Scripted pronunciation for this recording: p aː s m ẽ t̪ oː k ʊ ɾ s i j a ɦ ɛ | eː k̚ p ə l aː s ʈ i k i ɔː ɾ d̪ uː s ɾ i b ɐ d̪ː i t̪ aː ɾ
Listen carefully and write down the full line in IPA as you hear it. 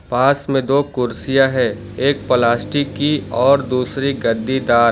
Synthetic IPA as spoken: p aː s m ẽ d̪ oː k ʊ ɾ s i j a ɦ ɛ | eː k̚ p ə l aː s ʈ i k i ɔː ɾ d̪ uː s ɾ i ɡ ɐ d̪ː i d̪ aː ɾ